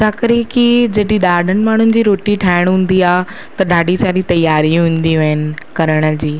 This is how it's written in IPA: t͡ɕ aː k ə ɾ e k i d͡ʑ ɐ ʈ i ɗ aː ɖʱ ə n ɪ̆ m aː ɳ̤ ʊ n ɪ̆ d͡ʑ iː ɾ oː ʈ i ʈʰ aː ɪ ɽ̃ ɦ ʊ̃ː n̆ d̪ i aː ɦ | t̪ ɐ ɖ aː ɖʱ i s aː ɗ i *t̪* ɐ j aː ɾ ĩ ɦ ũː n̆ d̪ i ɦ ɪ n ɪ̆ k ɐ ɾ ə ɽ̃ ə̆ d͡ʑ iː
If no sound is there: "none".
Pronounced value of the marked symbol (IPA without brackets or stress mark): t̪